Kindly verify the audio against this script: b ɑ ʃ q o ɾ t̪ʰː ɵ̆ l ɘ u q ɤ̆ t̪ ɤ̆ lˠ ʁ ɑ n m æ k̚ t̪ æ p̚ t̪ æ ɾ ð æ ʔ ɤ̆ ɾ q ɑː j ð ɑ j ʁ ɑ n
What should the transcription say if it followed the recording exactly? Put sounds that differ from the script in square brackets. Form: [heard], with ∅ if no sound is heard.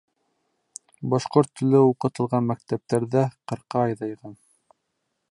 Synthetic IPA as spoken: b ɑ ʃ q o ɾ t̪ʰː ɵ̆ l ɘ u q ɤ̆ t̪ ɤ̆ lˠ ʁ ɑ n m æ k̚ t̪ æ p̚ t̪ æ ɾ ð æ [q] ɤ̆ ɾ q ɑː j ð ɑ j ʁ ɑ n